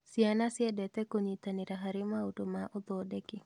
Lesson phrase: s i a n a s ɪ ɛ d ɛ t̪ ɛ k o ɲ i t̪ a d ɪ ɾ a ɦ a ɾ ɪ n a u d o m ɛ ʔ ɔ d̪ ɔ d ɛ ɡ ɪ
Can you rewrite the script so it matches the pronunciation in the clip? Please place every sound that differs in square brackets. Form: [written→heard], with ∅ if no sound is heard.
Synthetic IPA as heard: s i a n a s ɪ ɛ d ɛ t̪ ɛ k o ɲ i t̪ a [d→n] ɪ ɾ a ɦ a ɾ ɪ [n→m] a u d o m [ɛ→a] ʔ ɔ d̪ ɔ d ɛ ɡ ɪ